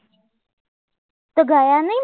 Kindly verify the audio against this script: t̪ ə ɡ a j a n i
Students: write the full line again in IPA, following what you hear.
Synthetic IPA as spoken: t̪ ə ɡ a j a n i